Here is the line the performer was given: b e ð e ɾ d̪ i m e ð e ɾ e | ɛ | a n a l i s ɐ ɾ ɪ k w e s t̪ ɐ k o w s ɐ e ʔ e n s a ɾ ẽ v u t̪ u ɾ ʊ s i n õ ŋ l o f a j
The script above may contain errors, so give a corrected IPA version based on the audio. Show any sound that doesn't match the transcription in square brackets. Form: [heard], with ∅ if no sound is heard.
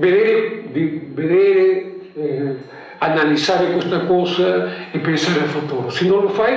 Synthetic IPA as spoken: b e ð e ɾ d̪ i [b] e ð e ɾ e | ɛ | a n a l i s [a] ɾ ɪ k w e s t̪ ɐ k o w s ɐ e [p] e n s a ɾ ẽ [f] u t̪ u ɾ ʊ s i n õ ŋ l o f a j